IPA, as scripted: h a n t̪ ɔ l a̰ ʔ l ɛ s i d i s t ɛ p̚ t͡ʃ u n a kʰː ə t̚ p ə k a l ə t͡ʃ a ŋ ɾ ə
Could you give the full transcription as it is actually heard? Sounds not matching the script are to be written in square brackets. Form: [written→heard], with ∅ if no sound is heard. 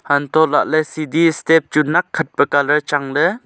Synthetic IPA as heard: h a n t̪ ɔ l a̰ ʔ l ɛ s i d i s t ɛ p̚ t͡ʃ u n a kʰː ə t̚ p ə k a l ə t͡ʃ a ŋ [ɾ→l] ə